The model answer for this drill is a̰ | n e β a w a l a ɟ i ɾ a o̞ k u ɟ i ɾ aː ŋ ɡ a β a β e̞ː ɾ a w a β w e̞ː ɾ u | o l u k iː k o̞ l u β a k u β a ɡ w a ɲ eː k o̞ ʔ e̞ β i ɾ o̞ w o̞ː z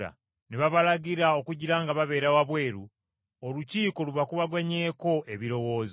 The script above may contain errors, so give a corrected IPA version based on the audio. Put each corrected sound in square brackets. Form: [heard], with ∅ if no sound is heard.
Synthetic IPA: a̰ | n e β a [β] a l a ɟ i ɾ a o̞ k u ɟ i ɾ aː ŋ ɡ a β a β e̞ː ɾ a w a β w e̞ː ɾ u | o l u [c] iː k o̞ l u β a k u β a ɡ w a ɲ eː k o̞ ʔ e̞ β i ɾ o̞ w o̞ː z

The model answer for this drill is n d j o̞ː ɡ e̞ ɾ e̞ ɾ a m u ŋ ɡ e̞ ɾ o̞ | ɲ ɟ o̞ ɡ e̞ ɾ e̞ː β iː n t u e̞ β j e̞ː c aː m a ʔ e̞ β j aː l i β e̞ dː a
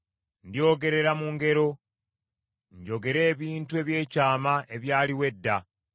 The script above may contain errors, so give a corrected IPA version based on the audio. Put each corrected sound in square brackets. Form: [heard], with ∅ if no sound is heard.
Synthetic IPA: n d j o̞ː ɡ e̞ ɾ e̞ ɾ a m u ŋ ɡ e̞ ɾ o̞ | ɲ ɟ o̞ ɡ e̞ ɾ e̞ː β iː n t u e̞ β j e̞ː c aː m a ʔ e̞ β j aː l i [w] e̞ dː a

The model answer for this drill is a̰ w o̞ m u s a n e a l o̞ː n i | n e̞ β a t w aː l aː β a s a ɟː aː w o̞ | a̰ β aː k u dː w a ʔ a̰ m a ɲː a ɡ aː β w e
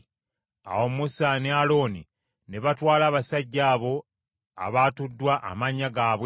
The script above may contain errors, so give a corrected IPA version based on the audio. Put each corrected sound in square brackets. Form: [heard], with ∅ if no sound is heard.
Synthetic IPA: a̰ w o̞ m u s a n e a l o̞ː n i | n e̞ β a t w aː l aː β a s a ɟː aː [β] o̞ | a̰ β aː [t] u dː w a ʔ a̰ m a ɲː a ɡ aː β w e

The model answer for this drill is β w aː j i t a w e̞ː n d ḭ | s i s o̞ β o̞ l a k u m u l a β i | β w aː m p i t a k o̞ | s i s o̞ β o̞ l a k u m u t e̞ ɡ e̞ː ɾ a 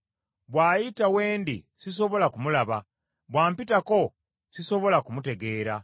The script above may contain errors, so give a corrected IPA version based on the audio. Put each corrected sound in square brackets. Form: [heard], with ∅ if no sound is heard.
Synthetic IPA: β w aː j i t a w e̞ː n d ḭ | s i s o̞ β o̞ l a k u m u l a β [a] | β w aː m p i t a k o̞ | s i s o̞ β o̞ l a k u m u t e̞ ɡ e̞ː ɾ a

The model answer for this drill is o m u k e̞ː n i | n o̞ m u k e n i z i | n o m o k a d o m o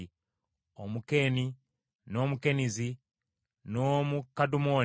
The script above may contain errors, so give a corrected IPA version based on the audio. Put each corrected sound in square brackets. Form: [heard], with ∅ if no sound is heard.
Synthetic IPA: o m u k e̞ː n i | n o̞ m u k e n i z i | n o m [u] k a d [u] m o

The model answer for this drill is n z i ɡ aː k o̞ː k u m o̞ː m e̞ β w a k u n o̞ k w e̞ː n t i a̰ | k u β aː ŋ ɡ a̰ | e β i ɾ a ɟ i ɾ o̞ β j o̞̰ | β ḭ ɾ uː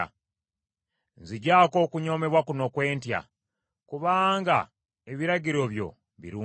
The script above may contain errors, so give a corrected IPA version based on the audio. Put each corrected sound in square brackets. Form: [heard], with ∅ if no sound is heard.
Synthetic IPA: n z i [ɟ] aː k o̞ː k u [ɲ] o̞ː m e̞ β w a k u n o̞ k w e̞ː n t [j] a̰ | k u β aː ŋ ɡ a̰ | e β i ɾ a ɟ i ɾ o̞ β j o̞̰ | β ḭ ɾ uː

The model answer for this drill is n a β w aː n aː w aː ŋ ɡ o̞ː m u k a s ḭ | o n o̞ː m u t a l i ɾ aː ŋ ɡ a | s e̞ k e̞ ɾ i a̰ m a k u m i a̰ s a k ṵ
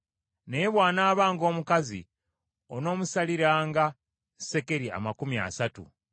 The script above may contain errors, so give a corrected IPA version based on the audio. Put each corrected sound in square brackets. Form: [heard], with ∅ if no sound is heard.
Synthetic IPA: n [e] β w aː n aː [β] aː ŋ ɡ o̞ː m u k a [z] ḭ | o n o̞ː m u [s] a l i ɾ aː ŋ ɡ a | s e̞ k e̞ ɾ i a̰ m a k u m i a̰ s a [t] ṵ

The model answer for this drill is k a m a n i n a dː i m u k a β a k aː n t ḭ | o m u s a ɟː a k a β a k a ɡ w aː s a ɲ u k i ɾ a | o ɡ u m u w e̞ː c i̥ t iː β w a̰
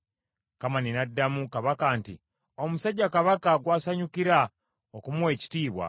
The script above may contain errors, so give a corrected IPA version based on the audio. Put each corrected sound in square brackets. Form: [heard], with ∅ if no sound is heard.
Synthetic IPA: k a m a n i n a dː [a] m u k a β a k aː n t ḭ | o m u s a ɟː a k a β a k a ɡ w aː s a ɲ u k i ɾ a | o [k] u m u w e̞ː c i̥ t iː β w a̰

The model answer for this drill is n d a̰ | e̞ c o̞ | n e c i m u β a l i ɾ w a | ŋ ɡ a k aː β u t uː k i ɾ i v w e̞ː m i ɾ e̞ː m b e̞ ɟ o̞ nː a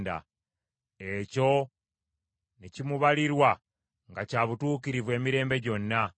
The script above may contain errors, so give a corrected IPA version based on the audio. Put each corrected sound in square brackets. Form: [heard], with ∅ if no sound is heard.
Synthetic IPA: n d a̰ | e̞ c o̞ | n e c i m u β a l i ɾ w a | ŋ ɡ a [c] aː β u t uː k i ɾ i v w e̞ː m i ɾ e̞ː m b e̞ ɟ o̞ nː a

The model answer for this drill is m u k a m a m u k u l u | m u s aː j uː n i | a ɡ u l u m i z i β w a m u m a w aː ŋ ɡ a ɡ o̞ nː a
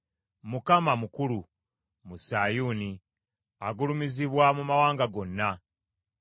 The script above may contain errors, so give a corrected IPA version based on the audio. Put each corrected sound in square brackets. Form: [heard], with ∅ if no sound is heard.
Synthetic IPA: m u k a m a m u k u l u | m u s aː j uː n i | a ɡ u l u m i z i β w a m u m a w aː ŋ ɡ a ɡ o̞ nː a

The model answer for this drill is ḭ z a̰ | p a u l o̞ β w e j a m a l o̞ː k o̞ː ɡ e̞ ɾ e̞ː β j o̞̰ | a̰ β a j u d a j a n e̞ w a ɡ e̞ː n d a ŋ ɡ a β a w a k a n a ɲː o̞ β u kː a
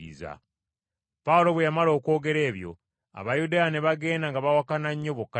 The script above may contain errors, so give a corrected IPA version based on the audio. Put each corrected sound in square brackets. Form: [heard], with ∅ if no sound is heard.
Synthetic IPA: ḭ z a̰ | p a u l o̞ β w e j a m a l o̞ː k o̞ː ɡ e̞ ɾ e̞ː β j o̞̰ | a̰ β a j u d a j a n e̞ [β] a ɡ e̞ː n d a ŋ ɡ a β a w a k a n a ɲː o̞ β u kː a

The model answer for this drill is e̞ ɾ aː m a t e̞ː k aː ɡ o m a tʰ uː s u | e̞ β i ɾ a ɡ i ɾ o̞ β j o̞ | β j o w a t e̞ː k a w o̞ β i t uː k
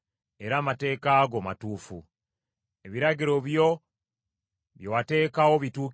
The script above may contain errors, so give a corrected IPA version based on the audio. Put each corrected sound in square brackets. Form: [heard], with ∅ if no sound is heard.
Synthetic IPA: e̞ ɾ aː m a t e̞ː k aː ɡ o m a [t] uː [f] u | e̞ β i ɾ a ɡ i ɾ o̞ β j o̞ | β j o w a t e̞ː k a w o̞ β i t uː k

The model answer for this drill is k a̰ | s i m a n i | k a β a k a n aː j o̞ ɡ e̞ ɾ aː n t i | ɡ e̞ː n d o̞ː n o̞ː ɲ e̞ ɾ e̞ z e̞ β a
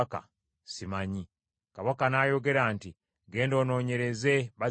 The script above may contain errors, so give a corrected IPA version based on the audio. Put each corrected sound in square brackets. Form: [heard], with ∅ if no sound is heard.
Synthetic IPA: k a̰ | s i m a [ɲ] i | k a β a k a n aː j o̞ ɡ e̞ ɾ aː n t i | ɡ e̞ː n d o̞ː n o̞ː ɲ e̞ ɾ e̞ z e̞ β a

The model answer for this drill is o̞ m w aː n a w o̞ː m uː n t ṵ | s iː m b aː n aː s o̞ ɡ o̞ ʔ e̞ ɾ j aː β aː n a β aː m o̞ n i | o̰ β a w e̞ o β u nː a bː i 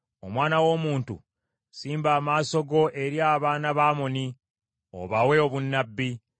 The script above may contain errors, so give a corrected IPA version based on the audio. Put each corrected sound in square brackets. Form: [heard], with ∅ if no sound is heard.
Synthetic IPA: o̞ m w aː n a w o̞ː m uː n t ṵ | s iː m b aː [m] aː s o̞ ɡ o̞ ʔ e̞ ɾ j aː β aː n a β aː m o̞ n i | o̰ β a w e̞ o β u nː a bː i

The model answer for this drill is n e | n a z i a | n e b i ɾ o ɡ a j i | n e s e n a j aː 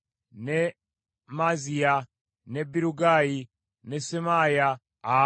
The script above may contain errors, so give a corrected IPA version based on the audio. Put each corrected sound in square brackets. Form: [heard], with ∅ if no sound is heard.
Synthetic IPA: n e | [m] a z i a | n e b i ɾ [u] ɡ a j i | n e s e [m] a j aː

